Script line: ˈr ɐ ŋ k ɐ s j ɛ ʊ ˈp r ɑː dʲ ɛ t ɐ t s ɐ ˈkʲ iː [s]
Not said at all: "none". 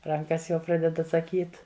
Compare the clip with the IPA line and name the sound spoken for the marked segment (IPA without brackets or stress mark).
t